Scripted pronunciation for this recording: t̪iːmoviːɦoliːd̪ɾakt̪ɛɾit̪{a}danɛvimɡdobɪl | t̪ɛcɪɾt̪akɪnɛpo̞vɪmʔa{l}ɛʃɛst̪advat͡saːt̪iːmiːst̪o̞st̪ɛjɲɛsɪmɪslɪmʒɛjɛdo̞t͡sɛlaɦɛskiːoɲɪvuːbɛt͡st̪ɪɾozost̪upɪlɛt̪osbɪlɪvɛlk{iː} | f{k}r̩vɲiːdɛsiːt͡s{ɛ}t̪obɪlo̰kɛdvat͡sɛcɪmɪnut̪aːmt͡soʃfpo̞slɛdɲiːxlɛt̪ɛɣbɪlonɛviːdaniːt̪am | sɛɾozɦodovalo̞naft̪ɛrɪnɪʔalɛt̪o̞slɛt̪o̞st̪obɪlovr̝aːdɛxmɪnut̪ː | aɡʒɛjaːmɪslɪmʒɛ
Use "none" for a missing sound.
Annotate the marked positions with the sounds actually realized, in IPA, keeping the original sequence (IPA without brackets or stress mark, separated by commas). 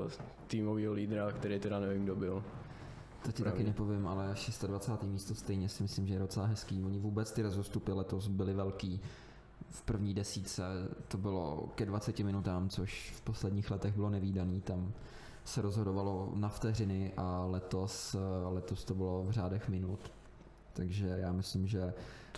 ɛ, l, iː, p, ɛ